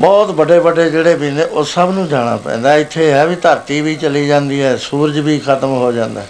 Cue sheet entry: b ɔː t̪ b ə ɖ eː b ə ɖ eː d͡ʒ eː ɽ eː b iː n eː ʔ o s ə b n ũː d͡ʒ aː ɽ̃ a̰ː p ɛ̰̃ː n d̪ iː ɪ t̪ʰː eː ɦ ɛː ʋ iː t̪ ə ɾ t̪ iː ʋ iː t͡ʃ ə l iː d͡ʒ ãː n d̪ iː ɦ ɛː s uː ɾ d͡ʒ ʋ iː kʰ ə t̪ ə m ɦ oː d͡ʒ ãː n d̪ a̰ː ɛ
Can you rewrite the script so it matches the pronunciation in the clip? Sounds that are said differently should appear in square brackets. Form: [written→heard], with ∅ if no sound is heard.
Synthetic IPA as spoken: b ɔː t̪ b ə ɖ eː b ə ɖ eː d͡ʒ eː ɽ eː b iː n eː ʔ o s ə b n ũː d͡ʒ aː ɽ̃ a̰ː p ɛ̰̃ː n d̪ [iː→aː] ɪ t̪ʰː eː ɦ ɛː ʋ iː t̪ ə ɾ t̪ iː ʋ iː t͡ʃ ə l iː d͡ʒ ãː n d̪ iː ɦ ɛː s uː ɾ d͡ʒ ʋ iː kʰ ə t̪ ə m ɦ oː d͡ʒ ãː n d̪ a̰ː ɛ